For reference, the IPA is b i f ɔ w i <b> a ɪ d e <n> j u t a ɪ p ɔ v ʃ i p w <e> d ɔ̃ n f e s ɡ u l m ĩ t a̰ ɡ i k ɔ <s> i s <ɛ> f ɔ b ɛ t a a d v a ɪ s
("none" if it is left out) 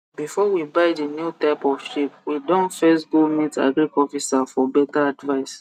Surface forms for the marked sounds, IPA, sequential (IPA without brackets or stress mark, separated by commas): b, n, i, f, a